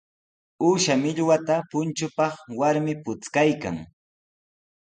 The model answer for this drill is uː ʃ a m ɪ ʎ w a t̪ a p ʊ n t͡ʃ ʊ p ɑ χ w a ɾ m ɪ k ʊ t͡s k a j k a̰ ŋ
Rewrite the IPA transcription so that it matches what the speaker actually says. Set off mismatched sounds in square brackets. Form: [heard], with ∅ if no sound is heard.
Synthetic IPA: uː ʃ a m ɪ ʎ w a t̪ a p ʊ n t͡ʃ ʊ p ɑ χ w a ɾ m ɪ [p] ʊ t͡s k a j k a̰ ŋ